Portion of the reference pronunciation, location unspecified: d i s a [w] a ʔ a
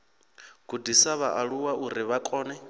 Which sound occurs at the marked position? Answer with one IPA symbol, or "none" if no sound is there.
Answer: β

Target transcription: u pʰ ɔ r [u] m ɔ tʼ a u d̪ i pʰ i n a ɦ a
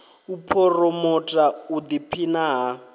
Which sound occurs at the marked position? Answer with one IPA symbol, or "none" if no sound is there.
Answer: ɔ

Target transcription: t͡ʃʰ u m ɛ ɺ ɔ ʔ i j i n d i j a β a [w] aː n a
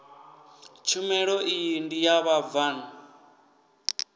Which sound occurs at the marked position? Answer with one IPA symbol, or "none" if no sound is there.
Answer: v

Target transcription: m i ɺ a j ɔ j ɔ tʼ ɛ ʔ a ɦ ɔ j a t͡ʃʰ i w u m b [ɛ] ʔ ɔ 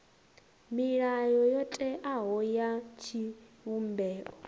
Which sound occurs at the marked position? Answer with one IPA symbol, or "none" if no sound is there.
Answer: ɛː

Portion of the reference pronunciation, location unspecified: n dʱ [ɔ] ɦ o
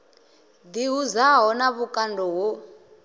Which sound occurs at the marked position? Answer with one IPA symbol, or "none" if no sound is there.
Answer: ɔ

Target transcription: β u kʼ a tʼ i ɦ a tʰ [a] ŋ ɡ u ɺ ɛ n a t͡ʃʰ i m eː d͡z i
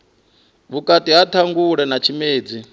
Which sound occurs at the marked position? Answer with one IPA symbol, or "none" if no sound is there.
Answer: a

